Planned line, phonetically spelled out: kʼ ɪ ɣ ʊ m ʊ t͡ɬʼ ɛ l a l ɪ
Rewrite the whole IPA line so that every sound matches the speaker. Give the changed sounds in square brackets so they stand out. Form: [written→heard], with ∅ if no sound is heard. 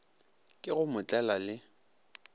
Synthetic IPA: kʼ ɪ ɣ ʊ m ʊ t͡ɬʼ ɛ l a l ɪ